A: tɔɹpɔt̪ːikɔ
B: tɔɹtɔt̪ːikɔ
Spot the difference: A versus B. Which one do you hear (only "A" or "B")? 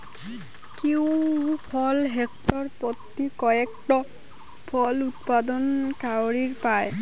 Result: A